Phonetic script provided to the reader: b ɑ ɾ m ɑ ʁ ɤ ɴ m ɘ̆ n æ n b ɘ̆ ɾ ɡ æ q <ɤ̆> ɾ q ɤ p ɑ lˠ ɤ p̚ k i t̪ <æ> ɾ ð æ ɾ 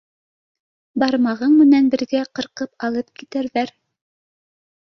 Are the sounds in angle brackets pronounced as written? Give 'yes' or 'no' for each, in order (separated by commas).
yes, yes